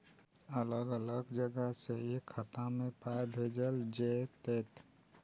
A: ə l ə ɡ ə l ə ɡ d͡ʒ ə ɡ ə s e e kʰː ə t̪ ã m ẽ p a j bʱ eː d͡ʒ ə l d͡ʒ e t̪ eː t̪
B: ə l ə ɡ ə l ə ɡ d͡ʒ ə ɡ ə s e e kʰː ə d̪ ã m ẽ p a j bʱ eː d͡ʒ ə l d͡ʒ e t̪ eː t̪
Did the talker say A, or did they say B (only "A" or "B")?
A